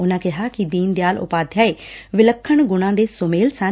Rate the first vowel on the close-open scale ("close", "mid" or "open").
close